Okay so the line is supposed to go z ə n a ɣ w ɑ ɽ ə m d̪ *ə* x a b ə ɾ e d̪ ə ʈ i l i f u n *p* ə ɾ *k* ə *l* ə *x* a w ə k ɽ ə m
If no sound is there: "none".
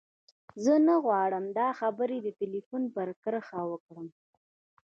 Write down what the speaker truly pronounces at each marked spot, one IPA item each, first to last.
ɑ, p, k, ɾ, x

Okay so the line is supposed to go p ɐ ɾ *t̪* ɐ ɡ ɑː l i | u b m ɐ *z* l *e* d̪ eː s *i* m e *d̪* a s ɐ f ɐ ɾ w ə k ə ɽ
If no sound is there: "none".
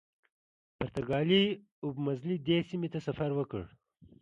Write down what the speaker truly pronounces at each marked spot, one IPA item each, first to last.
t̪, z, i, i, t̪

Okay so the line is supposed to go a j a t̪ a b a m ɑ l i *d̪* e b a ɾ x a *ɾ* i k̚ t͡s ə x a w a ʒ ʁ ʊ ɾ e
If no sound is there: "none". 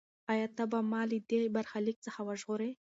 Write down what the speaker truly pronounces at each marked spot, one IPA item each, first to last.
d̪, l

